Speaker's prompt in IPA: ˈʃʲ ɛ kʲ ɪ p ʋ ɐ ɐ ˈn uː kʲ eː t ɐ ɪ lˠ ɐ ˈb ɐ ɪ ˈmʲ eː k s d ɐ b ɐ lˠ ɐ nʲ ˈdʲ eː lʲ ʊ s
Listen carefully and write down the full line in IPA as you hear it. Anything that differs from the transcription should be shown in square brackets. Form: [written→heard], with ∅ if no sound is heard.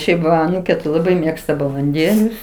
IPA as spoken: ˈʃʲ ɛ [kʲ→∅] ɪ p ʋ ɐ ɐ ˈn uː kʲ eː t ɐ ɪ lˠ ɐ ˈb ɐ ɪ ˈmʲ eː k s [d→t] ɐ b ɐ lˠ ɐ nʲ ˈdʲ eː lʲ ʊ s